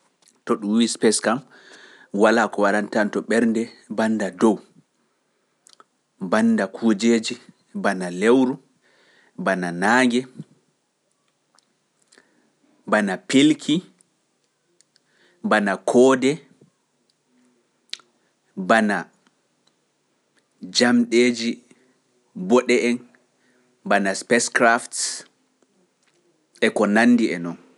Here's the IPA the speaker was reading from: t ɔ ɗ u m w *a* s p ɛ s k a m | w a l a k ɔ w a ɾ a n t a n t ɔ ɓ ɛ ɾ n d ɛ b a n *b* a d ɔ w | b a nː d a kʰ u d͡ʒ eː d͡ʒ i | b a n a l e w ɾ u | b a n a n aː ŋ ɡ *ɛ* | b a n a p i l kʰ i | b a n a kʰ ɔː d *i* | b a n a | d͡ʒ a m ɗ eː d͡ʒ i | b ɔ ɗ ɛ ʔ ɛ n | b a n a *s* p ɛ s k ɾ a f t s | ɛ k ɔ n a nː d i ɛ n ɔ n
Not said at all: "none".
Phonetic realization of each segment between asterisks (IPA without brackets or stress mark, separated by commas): i, d, ɛ, ɛ, s